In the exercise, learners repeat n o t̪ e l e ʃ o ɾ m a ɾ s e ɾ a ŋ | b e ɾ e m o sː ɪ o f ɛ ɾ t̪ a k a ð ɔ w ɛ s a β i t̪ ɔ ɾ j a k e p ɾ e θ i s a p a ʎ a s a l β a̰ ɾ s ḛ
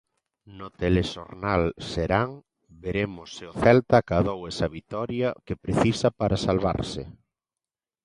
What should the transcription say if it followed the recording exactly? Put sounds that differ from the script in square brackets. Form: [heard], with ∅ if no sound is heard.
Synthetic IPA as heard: n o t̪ e l e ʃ o ɾ [n] a [l] s e ɾ a ŋ | b e ɾ e m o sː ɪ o [θ] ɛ [l] t̪ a k a ð [o] w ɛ s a β i t̪ ɔ ɾ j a k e p ɾ e θ i s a p a [ɾ] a s a l β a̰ ɾ s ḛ

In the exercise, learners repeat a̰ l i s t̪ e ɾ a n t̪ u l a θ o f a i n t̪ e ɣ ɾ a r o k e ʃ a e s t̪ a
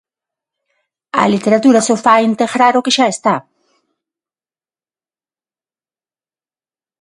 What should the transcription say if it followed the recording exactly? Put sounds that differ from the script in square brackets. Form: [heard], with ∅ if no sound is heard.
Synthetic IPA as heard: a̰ l i [∅] t̪ e ɾ a [∅] t̪ u [ɾ] a [s] o f a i n t̪ e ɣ ɾ a [ɾ] o k e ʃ a e s t̪ a

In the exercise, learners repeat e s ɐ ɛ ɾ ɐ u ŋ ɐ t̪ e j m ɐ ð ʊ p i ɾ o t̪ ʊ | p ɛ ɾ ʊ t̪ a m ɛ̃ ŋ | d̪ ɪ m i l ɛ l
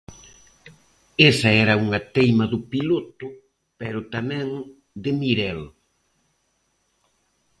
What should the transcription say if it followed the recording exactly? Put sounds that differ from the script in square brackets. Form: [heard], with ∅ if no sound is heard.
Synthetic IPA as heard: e s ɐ ɛ ɾ ɐ u ŋ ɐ t̪ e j m ɐ ð ʊ p i [l] o t̪ ʊ | p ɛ ɾ ʊ t̪ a m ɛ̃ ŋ | d̪ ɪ m i [ɾ] ɛ l

